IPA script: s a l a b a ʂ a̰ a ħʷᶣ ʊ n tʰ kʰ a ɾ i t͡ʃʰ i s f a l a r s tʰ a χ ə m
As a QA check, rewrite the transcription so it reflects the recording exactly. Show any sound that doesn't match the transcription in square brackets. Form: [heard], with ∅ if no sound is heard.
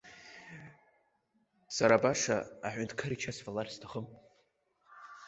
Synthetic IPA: s a [ɾ] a b a ʂ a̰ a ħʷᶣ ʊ n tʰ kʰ a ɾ i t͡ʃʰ [a] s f a l a r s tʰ a χ ə m